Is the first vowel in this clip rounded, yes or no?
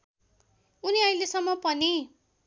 yes